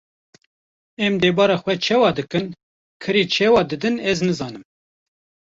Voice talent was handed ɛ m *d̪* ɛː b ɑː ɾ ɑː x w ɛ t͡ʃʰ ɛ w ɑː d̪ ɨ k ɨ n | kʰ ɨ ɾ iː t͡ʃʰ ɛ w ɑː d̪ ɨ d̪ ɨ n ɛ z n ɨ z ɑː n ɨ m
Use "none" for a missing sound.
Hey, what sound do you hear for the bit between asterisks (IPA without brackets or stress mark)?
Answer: d̪